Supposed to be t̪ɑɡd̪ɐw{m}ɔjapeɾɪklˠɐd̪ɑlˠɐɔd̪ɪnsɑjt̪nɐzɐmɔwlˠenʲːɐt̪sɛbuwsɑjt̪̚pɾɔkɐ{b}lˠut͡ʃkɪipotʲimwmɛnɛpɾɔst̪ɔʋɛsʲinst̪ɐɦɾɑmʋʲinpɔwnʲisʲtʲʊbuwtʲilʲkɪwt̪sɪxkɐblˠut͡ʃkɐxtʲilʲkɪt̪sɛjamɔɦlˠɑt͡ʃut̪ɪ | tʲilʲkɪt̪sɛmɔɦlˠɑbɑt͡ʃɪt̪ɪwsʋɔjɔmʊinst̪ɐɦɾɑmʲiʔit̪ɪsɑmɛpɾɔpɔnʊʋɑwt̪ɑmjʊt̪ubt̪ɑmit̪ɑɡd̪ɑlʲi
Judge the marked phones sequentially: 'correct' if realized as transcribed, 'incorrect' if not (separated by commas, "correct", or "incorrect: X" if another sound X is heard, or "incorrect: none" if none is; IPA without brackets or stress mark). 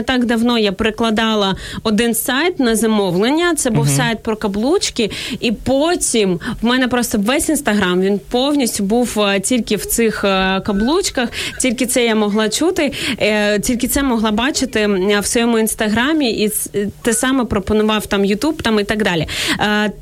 incorrect: n, correct